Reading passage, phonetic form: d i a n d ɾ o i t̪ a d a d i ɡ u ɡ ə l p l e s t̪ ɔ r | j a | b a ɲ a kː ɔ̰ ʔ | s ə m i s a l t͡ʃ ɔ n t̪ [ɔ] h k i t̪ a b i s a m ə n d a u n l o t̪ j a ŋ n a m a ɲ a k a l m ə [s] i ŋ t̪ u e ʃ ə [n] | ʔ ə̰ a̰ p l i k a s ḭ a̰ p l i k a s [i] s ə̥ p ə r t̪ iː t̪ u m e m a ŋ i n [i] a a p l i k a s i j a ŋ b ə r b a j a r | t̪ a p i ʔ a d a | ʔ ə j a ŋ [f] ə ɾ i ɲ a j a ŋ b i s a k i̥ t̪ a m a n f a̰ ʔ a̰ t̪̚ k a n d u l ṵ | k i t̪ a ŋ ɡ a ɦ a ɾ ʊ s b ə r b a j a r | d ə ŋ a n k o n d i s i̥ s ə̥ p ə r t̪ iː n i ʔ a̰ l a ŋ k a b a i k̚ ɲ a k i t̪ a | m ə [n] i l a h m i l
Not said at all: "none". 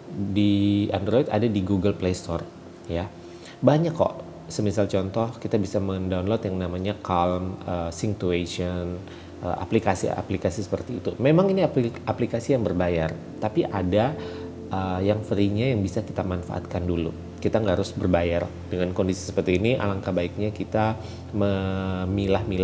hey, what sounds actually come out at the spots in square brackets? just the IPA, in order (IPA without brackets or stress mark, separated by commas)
ɔ, s, n, i, i, f, m